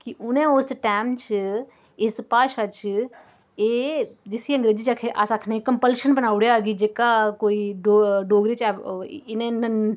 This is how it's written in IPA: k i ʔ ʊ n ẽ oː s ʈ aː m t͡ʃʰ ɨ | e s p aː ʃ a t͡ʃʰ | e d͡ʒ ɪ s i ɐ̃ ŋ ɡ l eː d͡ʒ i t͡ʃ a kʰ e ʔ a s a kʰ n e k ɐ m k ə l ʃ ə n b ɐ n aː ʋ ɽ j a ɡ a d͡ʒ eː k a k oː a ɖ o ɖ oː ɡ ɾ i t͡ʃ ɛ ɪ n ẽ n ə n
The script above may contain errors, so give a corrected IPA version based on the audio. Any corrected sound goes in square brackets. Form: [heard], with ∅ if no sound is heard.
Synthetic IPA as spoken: k i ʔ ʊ n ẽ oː s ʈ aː m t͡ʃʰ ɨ | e s p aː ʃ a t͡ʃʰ | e d͡ʒ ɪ s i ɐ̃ ŋ ɡ [ɾ] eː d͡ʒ i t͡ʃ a kʰ e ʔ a s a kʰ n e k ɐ m [p] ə l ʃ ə n b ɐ n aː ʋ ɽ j a ɡ [i] d͡ʒ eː k a k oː [i] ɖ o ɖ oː ɡ ɾ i t͡ʃ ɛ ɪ n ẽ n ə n